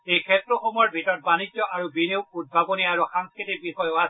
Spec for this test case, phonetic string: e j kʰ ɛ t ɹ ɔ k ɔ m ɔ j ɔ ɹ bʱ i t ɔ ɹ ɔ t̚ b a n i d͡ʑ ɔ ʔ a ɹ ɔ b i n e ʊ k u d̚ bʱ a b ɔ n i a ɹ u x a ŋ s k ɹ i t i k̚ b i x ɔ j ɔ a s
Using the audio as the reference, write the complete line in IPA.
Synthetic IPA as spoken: e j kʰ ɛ t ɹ ɔ x ɔ m ɔ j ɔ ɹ bʱ i t ɔ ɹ ɔ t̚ b a n i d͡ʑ ɔ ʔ a ɹ u b i n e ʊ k u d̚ bʱ a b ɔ n i a ɹ u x a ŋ s k ɹ i t i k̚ b i x ɔ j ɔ a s